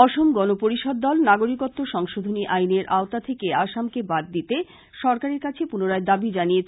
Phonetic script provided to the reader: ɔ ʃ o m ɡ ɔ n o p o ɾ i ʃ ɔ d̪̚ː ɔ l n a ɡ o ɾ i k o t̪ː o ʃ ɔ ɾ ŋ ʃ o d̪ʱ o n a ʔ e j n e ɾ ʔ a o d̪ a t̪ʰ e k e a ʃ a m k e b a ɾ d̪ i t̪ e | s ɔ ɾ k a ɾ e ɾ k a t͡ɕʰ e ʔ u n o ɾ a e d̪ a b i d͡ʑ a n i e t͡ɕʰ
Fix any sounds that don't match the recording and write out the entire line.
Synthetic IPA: ɔ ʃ o m ɡ ɔ n o p o ɾ i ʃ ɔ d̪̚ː ɔ l n a ɡ o ɾ i k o t̪ː o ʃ ɔ ŋ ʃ o d̪ʱ o n i ʔ a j n e ɾ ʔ a o t̪ a t̪ʰ e k e a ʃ a m k e b a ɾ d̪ i t̪ e | ʃ ɔ ɾ k a ɾ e ɾ k a t͡ɕʰ e p u n o ɾ a e d̪ a b i d͡ʑ a n i e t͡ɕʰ